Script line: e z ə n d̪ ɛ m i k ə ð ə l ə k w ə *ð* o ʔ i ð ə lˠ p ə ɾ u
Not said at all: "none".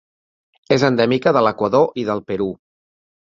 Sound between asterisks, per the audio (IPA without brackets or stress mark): ð